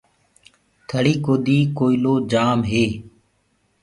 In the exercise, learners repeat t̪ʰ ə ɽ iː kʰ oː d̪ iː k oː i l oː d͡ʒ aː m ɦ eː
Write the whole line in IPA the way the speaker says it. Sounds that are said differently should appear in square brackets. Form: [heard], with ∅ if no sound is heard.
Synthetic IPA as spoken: t̪ʰ ə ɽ iː [k] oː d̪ iː k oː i l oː d͡ʒ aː m ɦ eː